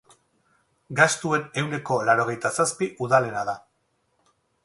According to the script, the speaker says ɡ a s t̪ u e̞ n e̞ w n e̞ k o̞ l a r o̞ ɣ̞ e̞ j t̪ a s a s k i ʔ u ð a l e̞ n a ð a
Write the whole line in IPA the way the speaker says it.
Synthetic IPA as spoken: ɡ a s t̪ u e̞ n e̞ w n e̞ k o̞ l a ɾ o̞ ɣ̞ e̞ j t̪ a s a s p i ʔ u ð a l e̞ n a ð a